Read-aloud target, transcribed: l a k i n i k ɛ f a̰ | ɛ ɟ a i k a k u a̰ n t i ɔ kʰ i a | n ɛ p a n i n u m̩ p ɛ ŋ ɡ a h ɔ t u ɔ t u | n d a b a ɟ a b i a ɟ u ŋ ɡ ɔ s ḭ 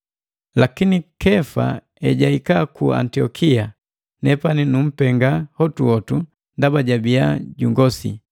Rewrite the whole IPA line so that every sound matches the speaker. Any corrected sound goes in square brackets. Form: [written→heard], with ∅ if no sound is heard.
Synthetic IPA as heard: l a k i n i k ɛ f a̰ | ɛ ɟ a i k a k u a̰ n t i ɔ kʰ i a | n ɛ p a n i n u m̩ p ɛ ŋ ɡ a h ɔ t u ɔ t u | n d a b a ɟ a b i a ɟ u ŋ ɡ ɔ s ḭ

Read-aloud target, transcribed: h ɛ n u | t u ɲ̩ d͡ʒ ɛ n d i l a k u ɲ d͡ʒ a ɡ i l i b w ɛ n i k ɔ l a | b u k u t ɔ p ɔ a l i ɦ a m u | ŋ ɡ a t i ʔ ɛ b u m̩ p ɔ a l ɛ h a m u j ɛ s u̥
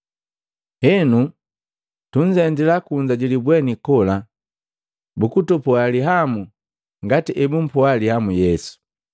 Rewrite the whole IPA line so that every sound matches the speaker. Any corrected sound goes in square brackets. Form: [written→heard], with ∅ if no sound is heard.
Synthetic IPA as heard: h ɛ n u | t u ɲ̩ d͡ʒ ɛ n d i l a k u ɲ d͡ʒ a [ɡ→ɟ] i l i b w ɛ n i k ɔ l a | b u k u t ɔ p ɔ a l i ɦ a m u | ŋ ɡ a t i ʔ ɛ b u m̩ p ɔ a l [ɛ→i] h a m u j ɛ s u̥

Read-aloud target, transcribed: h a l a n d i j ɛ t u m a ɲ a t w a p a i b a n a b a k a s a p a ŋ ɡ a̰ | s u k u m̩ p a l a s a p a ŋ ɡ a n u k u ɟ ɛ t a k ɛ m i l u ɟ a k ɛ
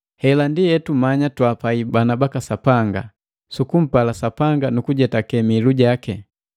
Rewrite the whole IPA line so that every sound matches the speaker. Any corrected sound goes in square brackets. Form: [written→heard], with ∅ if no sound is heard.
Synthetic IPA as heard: h [a→ɛ] l a n d i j ɛ t u m a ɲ a t w a p a i b a n a b a k a s a p a ŋ ɡ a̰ | s u k u m̩ p a l a s a p a ŋ ɡ a n u k u ɟ ɛ t a k ɛ m i l u ɟ a k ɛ

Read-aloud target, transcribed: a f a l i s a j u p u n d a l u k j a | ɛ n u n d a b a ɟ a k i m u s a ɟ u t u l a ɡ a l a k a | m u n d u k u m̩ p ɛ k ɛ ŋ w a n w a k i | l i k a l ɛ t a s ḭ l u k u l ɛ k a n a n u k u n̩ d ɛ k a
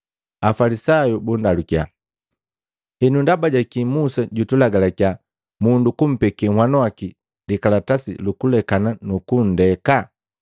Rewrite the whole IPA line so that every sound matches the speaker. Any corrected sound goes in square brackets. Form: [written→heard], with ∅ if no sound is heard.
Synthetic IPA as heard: a f a l i s a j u [p→b] u n d a l u k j a | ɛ n u n d a b a ɟ a k i m u s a ɟ u t u l a ɡ a l a k a | m u n d u k u m̩ p ɛ k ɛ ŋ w a n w a k i | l i k a l [ɛ→a] t a s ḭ l u k u l ɛ k a n a n u k u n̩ d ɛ k a

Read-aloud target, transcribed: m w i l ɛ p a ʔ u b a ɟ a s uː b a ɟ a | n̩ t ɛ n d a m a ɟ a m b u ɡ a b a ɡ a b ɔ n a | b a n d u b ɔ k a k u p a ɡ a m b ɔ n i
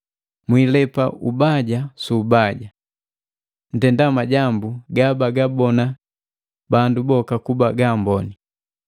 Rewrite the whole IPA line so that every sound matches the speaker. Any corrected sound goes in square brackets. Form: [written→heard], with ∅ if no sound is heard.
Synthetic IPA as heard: m w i l ɛ p a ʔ u b a ɟ a s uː b a ɟ a | n̩ t ɛ n d a m a ɟ a m b u ɡ a b a ɡ a b ɔ n a | b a n d u b ɔ k a k u [p→b] a ɡ a m b ɔ n i

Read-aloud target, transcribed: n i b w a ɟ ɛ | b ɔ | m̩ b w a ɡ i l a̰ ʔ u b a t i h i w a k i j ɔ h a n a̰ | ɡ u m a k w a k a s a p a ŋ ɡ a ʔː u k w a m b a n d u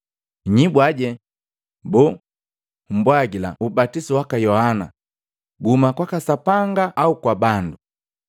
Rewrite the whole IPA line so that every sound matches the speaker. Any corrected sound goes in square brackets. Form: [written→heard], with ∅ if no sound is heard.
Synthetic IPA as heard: [n→ɲ] i b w a ɟ ɛ | b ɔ | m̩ b w a ɡ i l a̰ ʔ u b a t i [h→s] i w a k [i→a] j ɔ h a n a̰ | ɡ u m a k w a k a s a p a ŋ ɡ a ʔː u k w a [m→∅] b a n d u

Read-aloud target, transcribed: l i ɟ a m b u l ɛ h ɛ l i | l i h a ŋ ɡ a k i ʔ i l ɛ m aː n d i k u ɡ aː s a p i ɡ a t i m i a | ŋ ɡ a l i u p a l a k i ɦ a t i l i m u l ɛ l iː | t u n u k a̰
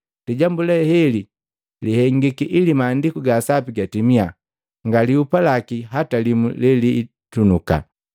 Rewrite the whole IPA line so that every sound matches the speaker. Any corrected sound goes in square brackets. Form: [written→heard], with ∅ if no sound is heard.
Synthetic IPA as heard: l i ɟ a m b u l ɛ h ɛ l i | l i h [a→ɛ] ŋ ɡ [a→i] k i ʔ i l [ɛ→i] m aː n d i k u ɡ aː s a p i ɡ a t i m i a | ŋ ɡ a l i u p a l a k i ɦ a t [i→a] l i m u l ɛ l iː | t u n u k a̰

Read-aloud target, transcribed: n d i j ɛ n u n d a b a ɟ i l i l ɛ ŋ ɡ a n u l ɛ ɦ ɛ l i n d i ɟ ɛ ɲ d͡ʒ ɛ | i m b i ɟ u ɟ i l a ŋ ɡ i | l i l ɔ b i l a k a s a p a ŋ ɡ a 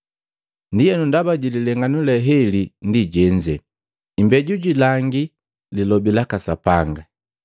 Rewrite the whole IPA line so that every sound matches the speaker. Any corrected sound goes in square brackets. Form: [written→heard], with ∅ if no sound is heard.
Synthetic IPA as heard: n d i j ɛ n u n d a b a ɟ i l i l ɛ ŋ ɡ a n u l ɛ ɦ ɛ l i n d i ɟ ɛ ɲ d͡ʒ ɛ | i m b [i→ɛ] ɟ u ɟ i l a ŋ ɡ i | l i l ɔ b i l a k a s a p a ŋ ɡ a

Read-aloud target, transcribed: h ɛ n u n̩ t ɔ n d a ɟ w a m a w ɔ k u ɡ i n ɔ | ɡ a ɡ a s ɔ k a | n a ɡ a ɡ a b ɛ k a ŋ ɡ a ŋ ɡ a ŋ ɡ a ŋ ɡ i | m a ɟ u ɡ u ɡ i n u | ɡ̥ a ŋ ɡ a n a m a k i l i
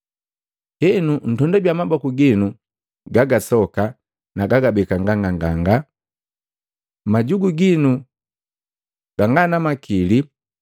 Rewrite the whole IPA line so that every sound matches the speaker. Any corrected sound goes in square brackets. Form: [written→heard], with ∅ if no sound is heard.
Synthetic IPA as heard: h ɛ n u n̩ t ɔ n d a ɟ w a m a [w→b] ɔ k u ɡ i n [ɔ→u] | ɡ a ɡ a s ɔ k a | n a ɡ a ɡ a b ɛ k a ŋ ɡ a ŋ ɡ a ŋ ɡ a ŋ ɡ [i→a] | m a ɟ u ɡ u ɡ i n u | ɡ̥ a ŋ ɡ a n a m a k i l i

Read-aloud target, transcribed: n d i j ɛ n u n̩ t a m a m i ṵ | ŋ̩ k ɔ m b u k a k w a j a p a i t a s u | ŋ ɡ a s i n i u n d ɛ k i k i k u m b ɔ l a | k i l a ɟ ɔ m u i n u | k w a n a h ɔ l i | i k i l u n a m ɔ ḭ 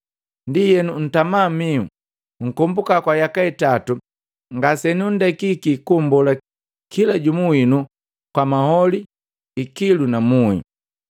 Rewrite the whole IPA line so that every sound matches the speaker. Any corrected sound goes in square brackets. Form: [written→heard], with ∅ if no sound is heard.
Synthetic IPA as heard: n d i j ɛ n u n̩ t a m a m i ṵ | ŋ̩ k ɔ m b u k a k w a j a [p→k] a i t a [s→t] u | ŋ ɡ a s [i→ɛ] n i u n d ɛ k i k i k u m b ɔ l a | k i l a ɟ [ɔ→u] m u i n u | k w a [n→m] a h ɔ l i | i k i l u n a m [ɔ→u] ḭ

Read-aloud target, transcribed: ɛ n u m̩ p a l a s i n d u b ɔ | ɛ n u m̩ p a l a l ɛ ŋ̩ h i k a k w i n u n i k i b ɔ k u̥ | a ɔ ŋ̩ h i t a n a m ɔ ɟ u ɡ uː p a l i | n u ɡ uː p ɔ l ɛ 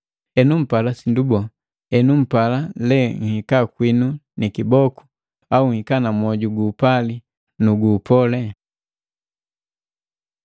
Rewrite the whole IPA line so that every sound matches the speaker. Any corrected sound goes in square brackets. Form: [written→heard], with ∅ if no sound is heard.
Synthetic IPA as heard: ɛ n u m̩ p a l a s i n d u b ɔ | ɛ n u m̩ p a l a l ɛ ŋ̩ h i k a k w i n u n i k i b ɔ k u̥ | a [ɔ→u] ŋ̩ h i [t→k] a n a m ɔ ɟ u ɡ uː p a l i | n u ɡ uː p ɔ l ɛ

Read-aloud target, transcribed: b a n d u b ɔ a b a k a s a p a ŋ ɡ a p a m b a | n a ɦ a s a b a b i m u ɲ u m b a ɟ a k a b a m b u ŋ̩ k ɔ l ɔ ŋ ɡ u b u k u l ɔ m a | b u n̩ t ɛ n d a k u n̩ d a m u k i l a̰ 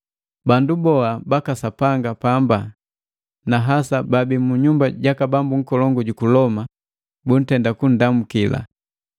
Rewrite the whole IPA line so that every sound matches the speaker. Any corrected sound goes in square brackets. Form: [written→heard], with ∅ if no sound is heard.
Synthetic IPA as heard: b a n d u b ɔ a b a k a s a p a ŋ ɡ a p a m b a | n a ɦ a s a b a b i m u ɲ u m b a ɟ a k a b a m b u ŋ̩ k ɔ l ɔ ŋ ɡ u [b→ɟ] u k u l ɔ m a | b u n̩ t ɛ n d a k u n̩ d a m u k i l a̰

